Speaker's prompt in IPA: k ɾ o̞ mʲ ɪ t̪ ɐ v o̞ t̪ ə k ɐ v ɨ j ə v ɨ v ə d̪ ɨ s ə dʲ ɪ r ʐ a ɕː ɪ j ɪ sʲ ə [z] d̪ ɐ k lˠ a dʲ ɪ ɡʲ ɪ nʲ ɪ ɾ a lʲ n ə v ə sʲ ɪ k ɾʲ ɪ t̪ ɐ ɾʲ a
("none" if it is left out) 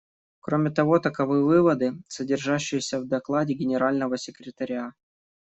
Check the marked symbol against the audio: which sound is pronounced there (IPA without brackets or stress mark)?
v